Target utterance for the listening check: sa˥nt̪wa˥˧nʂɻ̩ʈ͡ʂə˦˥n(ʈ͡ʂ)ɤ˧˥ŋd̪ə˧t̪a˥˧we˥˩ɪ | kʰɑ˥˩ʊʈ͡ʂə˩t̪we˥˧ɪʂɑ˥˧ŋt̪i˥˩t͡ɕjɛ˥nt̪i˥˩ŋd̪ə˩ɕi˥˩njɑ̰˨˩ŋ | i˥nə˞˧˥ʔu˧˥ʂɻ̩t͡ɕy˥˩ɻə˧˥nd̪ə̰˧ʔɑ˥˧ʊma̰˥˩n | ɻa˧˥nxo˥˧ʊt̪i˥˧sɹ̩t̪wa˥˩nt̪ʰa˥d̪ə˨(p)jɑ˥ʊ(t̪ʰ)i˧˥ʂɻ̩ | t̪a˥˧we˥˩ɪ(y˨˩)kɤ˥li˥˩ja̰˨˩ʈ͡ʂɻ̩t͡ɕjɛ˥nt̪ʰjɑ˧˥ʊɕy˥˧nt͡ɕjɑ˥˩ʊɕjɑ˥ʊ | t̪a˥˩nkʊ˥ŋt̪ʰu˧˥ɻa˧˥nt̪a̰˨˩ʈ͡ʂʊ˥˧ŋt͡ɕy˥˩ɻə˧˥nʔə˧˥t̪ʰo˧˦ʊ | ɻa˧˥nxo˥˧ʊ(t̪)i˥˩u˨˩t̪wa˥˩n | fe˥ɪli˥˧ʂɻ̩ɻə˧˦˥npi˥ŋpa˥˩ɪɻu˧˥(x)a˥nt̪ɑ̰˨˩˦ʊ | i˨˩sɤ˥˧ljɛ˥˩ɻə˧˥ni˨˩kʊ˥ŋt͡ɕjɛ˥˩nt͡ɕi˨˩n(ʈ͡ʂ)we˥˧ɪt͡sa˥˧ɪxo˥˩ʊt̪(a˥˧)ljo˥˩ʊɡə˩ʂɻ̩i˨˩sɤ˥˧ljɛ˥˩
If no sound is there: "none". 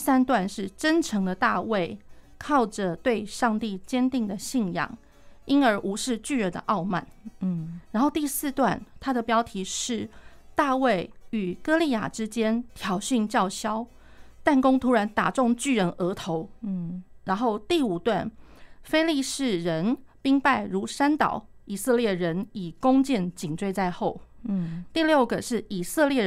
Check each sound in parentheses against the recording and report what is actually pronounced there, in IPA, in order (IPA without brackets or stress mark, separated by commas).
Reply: ʈ͡ʂʰ, p, t̪ʰ, y˨˩, t̪, ʂ, ʈ͡ʂ, i˥˧